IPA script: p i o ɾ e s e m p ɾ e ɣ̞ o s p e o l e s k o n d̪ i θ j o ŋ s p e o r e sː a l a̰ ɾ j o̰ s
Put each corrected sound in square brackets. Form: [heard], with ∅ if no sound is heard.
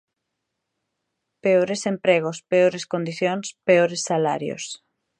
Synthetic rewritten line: p [e] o ɾ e s e m p ɾ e ɣ̞ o s p e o [ɾ] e s k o n d̪ i θ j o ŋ s p e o [ɾ] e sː a l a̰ ɾ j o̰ s

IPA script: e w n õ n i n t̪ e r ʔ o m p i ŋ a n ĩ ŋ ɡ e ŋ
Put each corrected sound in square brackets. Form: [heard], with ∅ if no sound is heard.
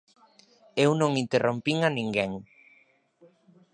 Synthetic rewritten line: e w n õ [ŋ] i n t̪ e r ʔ o m p i ŋ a n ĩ ŋ ɡ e ŋ

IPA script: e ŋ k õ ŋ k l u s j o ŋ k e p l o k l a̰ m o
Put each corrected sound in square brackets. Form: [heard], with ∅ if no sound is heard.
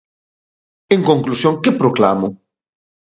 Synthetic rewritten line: e ŋ k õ ŋ k l u s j o ŋ k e p [ɾ] o k l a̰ m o

